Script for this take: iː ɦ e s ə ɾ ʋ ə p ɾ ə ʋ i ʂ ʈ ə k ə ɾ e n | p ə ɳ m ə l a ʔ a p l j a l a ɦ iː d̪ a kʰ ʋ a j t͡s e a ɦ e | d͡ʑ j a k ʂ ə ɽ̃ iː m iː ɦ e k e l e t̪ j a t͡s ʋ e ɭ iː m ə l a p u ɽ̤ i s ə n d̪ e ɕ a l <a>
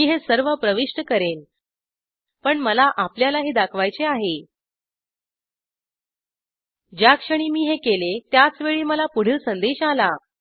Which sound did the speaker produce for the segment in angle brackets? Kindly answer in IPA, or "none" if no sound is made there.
a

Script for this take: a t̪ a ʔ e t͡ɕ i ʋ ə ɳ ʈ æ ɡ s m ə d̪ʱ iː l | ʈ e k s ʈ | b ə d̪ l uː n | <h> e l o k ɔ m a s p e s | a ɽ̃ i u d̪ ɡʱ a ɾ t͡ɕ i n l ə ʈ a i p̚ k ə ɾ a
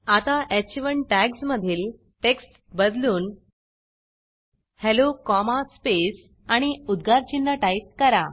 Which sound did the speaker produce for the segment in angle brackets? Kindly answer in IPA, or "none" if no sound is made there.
h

